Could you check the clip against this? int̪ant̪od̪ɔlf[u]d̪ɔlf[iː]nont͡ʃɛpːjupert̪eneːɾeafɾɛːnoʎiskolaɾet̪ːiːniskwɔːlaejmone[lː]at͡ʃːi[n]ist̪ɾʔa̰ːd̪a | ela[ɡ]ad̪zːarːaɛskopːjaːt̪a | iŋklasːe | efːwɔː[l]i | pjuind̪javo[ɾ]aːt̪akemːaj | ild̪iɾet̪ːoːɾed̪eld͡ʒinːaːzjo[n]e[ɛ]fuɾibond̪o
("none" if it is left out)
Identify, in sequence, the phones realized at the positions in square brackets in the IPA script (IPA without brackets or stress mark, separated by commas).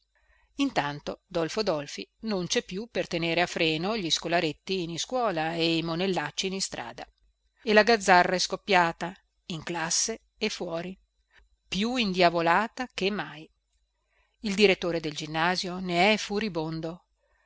o, i, lː, n, ɡ, ɾ, l, n, ɛ